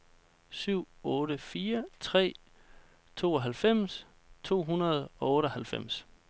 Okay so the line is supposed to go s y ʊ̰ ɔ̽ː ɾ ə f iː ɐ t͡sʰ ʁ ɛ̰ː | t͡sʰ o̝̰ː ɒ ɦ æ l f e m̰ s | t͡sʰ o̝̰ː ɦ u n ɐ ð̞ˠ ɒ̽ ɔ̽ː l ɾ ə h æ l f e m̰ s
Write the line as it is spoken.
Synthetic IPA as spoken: s y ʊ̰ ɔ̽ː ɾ ə f iː ɐ t͡sʰ ʁ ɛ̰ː | t͡sʰ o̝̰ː ɒ ɦ æ l f e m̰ s | t͡sʰ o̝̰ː ɦ u n ɐ ð̞ˠ ɒ̽ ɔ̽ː ɾ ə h æ l f e m̰ s